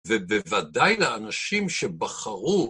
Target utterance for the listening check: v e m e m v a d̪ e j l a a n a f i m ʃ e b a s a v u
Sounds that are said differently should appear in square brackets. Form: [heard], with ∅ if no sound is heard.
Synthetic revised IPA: v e [b] e [∅] v a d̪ [a] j l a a n a [ʃ] i m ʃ e b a [χ] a [ʁ] u